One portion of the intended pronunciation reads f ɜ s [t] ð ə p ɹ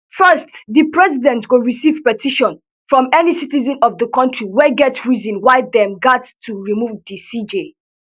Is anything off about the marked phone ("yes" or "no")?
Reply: no